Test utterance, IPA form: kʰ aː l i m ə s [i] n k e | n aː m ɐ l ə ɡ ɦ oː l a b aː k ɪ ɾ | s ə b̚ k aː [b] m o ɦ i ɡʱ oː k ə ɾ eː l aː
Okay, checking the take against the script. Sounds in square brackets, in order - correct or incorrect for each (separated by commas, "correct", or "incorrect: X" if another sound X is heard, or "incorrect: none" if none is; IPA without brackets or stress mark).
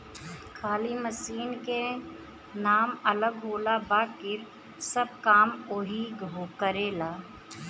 incorrect: iː, incorrect: none